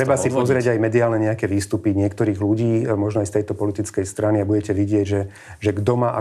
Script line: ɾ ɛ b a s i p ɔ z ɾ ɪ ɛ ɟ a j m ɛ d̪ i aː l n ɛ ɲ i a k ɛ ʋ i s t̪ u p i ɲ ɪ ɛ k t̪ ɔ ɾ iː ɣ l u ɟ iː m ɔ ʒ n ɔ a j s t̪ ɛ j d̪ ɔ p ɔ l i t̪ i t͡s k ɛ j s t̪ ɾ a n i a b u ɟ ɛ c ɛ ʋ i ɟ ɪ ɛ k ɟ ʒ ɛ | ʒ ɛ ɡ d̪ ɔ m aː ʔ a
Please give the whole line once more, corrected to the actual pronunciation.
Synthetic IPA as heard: ɾ ɛ b a s i p ɔ z ɾ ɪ ɛ ɟ a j m ɛ d̪ i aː l n ɛ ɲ ɛ a k ɛ ʋ iː s t̪ u p i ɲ ɪ ɛ k t̪ ɔ ɾ iː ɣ l u ɟ iː m ɔ ʒ n ɔ a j s t̪ ɛ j t̪ ɔ p ɔ l i t̪ i t͡s k ɛ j s t̪ ɾ a n i a b u ɟ ɛ c ɛ ʋ i ɟ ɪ ɛ ɟ ʒ ɛ | ʒ ɛ ɡ d̪ ɔ m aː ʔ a